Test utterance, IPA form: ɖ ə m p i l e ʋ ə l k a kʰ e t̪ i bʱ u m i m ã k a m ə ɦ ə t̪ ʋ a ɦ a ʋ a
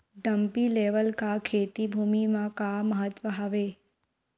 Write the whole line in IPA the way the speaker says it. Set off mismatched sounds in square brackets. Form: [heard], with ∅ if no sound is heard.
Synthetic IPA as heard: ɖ ə m p i l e ʋ ə l k a kʰ e t̪ i bʱ u m i m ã k a m ə ɦ ə t̪ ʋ [ə] ɦ a ʋ [e]

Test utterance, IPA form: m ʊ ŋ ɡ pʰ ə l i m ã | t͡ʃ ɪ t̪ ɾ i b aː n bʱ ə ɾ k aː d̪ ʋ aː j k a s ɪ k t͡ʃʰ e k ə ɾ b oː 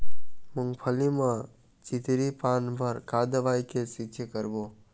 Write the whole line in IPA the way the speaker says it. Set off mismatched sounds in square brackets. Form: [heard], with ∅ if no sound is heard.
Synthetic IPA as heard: m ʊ ŋ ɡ pʰ ə l i m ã | t͡ʃ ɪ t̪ ɾ i [p] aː n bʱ ə ɾ k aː d̪ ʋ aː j k [e] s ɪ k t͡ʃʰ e k ə ɾ b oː

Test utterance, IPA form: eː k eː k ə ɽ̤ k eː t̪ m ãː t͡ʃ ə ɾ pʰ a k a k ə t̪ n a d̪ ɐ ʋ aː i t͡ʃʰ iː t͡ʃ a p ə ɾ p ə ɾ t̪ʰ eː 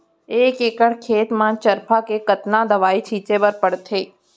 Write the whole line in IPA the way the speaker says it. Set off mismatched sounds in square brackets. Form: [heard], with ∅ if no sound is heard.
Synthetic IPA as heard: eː k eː k ə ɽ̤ [kʰ] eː t̪ m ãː t͡ʃ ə ɾ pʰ a k [e] k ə t̪ n a d̪ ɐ ʋ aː i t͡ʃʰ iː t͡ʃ [e] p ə ɾ p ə [ɽ] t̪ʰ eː

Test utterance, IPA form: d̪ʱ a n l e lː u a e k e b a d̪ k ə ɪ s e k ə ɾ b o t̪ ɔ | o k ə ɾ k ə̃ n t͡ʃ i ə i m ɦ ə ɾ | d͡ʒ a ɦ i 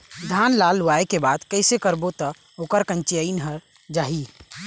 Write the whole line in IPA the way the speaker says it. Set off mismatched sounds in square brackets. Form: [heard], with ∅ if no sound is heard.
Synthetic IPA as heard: d̪ʱ a n l [a] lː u a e k e b a d̪ k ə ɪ s e k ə ɾ b o t̪ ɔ | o k ə ɾ k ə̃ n t͡ʃ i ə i [n] ɦ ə ɾ | d͡ʒ a ɦ i

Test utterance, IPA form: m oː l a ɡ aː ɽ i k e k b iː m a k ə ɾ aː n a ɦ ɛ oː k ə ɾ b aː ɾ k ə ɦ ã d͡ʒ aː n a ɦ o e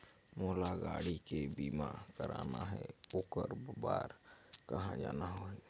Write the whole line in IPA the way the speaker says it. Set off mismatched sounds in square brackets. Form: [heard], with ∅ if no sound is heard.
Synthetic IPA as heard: m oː l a ɡ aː ɽ i k e [∅] b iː m a k ə ɾ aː n a ɦ ɛ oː k ə ɾ b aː ɾ k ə ɦ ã d͡ʒ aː n a ɦ o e

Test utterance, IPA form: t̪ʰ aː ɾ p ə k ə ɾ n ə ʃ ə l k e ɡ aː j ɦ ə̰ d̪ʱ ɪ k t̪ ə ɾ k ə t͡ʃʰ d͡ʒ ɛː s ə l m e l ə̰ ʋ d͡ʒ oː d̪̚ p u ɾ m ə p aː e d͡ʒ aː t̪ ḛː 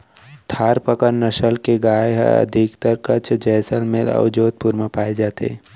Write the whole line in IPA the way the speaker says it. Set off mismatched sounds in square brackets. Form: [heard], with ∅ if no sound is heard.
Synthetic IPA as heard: t̪ʰ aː ɾ p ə k ə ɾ n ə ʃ ə l k e ɡ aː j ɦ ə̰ d̪ʱ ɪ k t̪ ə ɾ k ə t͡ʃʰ d͡ʒ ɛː s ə l m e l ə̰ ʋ d͡ʒ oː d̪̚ p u ɾ m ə p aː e d͡ʒ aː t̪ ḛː

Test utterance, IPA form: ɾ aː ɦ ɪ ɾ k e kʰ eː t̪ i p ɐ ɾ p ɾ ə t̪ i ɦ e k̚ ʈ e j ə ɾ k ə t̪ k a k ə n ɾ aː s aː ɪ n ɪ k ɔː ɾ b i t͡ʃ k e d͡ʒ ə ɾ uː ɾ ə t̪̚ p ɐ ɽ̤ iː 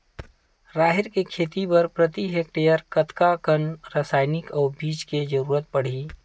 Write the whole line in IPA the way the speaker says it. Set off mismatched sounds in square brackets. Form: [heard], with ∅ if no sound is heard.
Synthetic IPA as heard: ɾ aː ɦ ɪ ɾ k e kʰ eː t̪ i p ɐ ɾ p ɾ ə t̪ i ɦ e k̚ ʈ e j ə ɾ k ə t̪ k a k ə n ɾ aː s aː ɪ n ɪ k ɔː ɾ b [iː] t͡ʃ k e d͡ʒ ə ɾ uː ɾ ə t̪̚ p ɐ ɽ̤ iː

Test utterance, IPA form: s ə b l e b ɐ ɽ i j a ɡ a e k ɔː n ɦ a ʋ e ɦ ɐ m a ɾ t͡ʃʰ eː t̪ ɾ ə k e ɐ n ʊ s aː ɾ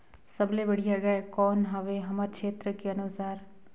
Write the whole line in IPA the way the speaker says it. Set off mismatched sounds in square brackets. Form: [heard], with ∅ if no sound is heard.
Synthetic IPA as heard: s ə b l e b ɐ ɽ i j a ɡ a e k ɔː n ɦ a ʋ e ɦ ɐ m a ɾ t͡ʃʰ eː t̪ ɾ ə k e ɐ n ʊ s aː ɾ

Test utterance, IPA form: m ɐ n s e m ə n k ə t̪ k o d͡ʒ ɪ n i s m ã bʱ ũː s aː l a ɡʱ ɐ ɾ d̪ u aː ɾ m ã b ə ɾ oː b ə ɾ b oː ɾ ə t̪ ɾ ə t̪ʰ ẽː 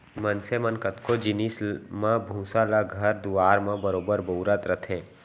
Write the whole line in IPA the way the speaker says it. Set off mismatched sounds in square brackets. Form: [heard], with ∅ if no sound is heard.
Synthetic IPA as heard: m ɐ n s e m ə n k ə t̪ k o d͡ʒ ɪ n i s m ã bʱ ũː s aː l a ɡʱ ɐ ɾ d̪ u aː ɾ m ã b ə ɾ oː b ə ɾ b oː ɾ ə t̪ ɾ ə t̪ʰ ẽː

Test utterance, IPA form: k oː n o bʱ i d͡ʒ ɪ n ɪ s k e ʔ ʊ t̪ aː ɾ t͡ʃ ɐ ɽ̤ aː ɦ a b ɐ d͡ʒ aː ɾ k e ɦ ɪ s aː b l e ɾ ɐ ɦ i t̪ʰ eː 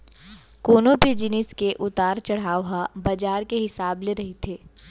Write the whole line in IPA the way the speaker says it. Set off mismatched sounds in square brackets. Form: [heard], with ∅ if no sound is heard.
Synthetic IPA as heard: k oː n o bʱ i d͡ʒ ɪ n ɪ s k e ʔ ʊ t̪ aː ɾ t͡ʃ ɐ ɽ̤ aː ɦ a b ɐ d͡ʒ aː ɾ k e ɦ ɪ s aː b l e ɾ ɐ ɦ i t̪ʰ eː

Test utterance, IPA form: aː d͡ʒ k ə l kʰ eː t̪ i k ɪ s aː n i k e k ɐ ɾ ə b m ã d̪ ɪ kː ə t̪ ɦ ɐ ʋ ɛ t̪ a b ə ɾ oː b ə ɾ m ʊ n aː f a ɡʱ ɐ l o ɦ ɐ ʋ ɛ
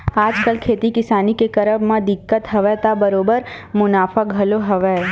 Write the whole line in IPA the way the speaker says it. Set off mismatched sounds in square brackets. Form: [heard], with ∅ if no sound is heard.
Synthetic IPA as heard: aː d͡ʒ k ə l kʰ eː t̪ i k ɪ s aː n i k e k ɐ ɾ ə b m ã d̪ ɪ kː ə t̪ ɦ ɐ ʋ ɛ t̪ a b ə ɾ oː b ə ɾ m ʊ n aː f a ɡʱ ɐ l o ɦ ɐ ʋ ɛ

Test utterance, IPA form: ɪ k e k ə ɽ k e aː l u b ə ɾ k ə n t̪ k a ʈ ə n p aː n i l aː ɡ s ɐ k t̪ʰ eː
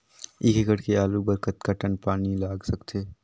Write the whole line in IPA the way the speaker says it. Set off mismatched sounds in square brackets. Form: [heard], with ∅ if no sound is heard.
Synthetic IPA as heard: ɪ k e k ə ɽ k e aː l u b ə ɾ k ə [∅] t̪ k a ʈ ə n p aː n i l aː ɡ s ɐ k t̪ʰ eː

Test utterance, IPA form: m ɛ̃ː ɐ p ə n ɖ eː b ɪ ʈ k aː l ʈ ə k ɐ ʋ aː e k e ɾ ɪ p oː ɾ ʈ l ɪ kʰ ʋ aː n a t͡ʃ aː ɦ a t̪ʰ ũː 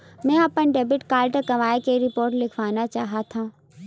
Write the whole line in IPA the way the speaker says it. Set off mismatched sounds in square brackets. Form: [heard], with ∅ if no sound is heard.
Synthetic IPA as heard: m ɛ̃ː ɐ p ə n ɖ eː b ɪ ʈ k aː l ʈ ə k ɐ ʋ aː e k e ɾ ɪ p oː ɾ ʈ l ɪ kʰ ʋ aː n a t͡ʃ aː ɦ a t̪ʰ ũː

